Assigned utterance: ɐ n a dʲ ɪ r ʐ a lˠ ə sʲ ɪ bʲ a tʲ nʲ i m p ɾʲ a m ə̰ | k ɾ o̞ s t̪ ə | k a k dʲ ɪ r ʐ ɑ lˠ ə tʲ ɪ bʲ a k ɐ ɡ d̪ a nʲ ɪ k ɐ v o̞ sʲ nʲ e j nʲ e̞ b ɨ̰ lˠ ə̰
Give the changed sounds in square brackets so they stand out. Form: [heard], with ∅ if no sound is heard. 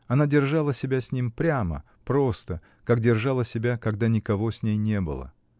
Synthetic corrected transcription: ɐ n a dʲ ɪ r ʐ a lˠ ə sʲ ɪ bʲ a [sʲ] nʲ i m p ɾʲ a m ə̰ | [p] ɾ o̞ s t̪ ə | k a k dʲ ɪ r ʐ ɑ lˠ ə [sʲ] ɪ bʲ a k ɐ ɡ d̪ a nʲ ɪ k ɐ v o̞ sʲ nʲ e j nʲ e̞ b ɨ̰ lˠ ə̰